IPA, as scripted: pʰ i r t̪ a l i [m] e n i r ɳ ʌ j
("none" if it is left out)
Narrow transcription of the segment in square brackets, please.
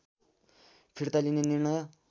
n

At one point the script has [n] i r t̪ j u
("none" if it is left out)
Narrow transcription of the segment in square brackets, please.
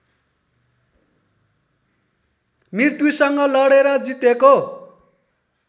m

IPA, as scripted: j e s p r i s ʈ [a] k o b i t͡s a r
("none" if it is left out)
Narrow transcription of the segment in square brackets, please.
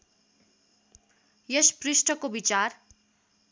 ʌ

